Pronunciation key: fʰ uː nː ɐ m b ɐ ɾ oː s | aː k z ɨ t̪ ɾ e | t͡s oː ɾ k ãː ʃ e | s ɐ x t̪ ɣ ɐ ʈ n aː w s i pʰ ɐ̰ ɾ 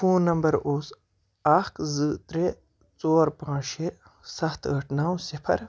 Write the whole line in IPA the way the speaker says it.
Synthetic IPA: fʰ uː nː ɐ m b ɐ ɾ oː s | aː k z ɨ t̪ ɾ e | t͡s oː ɾ p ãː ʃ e | s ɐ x t̪ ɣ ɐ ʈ n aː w s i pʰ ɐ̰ ɾ